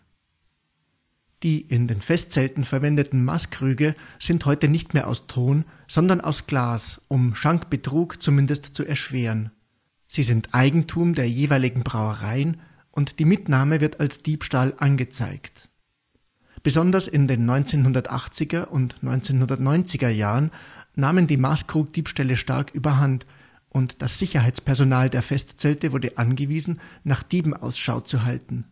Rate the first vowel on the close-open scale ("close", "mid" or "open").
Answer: close